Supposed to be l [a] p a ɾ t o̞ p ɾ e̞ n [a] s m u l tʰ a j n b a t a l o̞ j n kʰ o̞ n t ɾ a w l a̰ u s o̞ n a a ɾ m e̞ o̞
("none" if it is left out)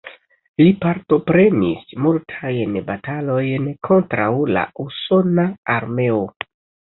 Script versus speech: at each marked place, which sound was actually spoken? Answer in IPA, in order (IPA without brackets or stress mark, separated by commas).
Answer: i, i